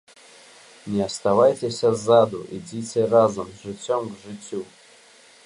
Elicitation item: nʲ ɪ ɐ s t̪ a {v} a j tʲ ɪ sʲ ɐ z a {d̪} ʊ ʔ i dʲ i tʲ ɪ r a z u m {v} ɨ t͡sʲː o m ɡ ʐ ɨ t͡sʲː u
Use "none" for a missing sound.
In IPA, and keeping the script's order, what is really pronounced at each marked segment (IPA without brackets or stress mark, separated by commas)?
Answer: v, d̪, ʐ